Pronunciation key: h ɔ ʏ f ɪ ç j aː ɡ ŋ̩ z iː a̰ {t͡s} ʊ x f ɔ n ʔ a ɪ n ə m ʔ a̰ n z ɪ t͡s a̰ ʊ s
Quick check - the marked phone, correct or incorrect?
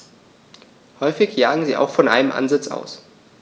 incorrect